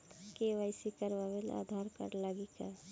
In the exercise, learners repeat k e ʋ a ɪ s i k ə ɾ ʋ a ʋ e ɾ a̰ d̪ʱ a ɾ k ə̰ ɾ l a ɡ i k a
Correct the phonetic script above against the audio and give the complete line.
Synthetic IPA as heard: k e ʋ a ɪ s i k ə ɾ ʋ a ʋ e l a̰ d̪ʱ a ɾ k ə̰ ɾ l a ɡ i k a

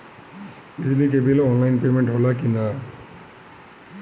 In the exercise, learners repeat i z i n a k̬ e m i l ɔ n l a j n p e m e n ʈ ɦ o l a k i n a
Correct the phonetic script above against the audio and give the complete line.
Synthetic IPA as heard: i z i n i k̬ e b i l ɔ n l a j n p e m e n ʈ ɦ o l a k i n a

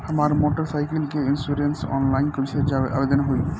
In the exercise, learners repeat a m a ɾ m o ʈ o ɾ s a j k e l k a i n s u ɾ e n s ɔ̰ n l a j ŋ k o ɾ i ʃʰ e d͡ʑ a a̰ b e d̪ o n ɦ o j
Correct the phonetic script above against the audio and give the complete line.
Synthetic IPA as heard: a m a ɾ m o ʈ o ɾ s a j k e l k e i n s u ɾ e n s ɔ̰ n l a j n k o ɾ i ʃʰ e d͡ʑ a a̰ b e d̪ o n ɦ o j

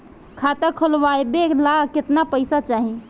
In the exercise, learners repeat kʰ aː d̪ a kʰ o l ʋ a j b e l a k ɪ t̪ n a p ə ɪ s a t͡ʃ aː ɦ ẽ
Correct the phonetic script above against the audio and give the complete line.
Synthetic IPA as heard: kʰ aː t̪ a kʰ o l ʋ a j b e l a k ɪ t̪ n a p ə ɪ s a t͡ʃ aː ɦ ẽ

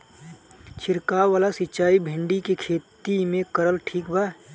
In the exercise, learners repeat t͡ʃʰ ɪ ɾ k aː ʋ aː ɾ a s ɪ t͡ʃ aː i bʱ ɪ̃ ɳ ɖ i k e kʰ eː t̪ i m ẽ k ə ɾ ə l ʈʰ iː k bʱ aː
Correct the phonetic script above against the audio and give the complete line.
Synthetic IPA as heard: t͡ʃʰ ɪ ɾ k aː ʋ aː l a s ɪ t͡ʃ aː i bʱ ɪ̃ ɳ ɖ i k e kʰ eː t̪ i m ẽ k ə ɾ ə l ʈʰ iː k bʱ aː

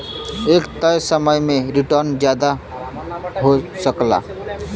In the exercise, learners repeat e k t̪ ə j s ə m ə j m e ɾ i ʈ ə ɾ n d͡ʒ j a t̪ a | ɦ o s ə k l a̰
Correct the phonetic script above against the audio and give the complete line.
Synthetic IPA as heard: e k t̪ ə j s ə m ə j m e ɾ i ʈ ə ɾ n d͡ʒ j a d̪ a | ɦ o s ə k l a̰

